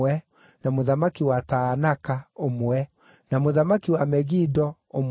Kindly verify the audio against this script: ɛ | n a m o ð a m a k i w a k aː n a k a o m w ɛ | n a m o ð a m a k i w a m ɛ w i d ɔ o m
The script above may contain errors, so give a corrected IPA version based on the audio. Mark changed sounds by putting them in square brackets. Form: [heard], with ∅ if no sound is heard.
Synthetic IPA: ɛ | n a m o ð a m a k i w a [t] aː n a k a o m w ɛ | n a m o ð a m a k i w a m ɛ [ɣ] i d ɔ o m

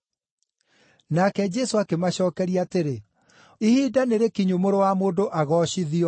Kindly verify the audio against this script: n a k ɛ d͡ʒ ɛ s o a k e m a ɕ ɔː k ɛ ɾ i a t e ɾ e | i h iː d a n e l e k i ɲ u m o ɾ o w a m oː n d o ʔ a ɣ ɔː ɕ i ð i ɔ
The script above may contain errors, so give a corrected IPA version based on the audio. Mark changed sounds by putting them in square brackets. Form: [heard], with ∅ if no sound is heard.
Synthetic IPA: n a k ɛ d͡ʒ ɛ s o a k e m a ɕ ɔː k ɛ ɾ i a t e ɾ e | i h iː d a n e [ɾ] e k i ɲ u m o ɾ o w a m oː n d o ʔ a ɣ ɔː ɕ i ð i ɔ

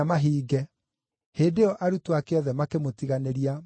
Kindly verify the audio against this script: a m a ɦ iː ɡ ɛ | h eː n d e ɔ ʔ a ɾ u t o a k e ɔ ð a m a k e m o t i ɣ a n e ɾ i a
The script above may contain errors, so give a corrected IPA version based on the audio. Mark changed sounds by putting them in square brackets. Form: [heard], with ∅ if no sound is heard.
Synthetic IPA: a m a ɦ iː ɡ ɛ | h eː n d e ɔ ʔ a ɾ u t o a k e ɔ ð [ɛ] m a k e m o t i ɣ a n e ɾ i a

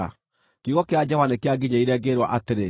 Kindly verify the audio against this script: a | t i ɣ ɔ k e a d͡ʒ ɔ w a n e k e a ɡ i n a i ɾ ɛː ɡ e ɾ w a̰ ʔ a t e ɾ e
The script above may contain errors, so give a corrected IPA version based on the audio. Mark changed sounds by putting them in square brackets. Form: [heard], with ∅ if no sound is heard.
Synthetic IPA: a | [k] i ɣ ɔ k e a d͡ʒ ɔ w a n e k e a ɡ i [ɲ] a i ɾ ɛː ɡ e ɾ w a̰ ʔ a t e ɾ e

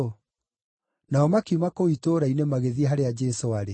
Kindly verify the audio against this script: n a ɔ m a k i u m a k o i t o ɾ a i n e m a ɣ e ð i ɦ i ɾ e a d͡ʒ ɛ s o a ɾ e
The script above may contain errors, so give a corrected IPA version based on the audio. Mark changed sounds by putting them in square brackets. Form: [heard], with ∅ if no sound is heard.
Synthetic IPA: n a ɔ m a k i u m a k o i t o ɾ a i n e m a ɣ e ð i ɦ [a] ɾ e a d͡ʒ ɛ s o a ɾ e

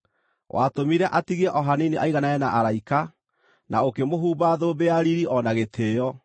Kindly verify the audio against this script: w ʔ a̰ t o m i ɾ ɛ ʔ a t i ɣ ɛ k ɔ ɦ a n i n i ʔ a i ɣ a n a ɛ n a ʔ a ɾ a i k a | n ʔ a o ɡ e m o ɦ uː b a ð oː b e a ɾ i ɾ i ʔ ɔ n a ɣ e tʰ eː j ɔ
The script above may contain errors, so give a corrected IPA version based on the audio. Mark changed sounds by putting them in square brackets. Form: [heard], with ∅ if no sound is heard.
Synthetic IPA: w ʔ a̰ t o m i ɾ ɛ ʔ a t i ɣ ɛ [ʔ] ɔ ɦ a n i n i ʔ a i ɣ a n a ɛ n a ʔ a ɾ a i k a | n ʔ a o [k] e m o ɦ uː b a ð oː b e a ɾ i ɾ i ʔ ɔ n a ɣ e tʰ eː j ɔ

